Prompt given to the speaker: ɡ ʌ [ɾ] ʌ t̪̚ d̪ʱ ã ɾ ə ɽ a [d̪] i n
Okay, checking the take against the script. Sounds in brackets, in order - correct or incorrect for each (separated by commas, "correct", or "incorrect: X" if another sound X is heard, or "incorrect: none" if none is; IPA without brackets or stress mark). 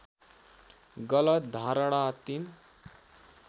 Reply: incorrect: l, incorrect: t̪